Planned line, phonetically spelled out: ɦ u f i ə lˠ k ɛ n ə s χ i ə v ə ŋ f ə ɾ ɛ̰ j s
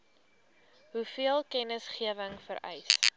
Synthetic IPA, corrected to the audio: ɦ u f i ə lˠ k ɛ n ə s χ i ə v ə ŋ f ə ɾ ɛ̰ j s